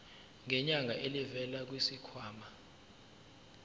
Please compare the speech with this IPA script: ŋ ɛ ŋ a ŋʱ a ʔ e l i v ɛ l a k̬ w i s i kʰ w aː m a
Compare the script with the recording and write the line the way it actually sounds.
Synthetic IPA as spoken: ŋ ɛ ɲ a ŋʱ a ʔ e l i v ɛ l a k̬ w i s i kʰ w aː m a